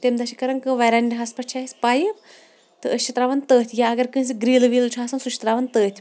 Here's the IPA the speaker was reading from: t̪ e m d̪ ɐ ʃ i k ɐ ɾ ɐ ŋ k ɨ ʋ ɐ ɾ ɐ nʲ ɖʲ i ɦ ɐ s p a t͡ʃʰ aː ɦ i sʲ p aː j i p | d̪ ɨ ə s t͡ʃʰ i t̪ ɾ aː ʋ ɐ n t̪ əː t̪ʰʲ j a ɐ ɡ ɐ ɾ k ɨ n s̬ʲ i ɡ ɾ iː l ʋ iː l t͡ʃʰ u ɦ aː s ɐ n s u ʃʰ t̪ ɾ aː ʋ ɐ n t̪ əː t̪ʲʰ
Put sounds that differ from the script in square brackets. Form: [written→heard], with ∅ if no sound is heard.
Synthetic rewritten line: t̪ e m d̪ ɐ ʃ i k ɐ ɾ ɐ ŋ k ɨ ʋ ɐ ɾ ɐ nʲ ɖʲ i ɦ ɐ s p [a→ɐ] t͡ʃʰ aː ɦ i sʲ p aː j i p | [d̪→t̪] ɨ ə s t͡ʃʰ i t̪ ɾ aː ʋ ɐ n t̪ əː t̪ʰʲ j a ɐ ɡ ɐ ɾ k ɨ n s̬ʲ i ɡ ɾ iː l ʋ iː l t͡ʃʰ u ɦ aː s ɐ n s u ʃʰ t̪ ɾ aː ʋ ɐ n t̪ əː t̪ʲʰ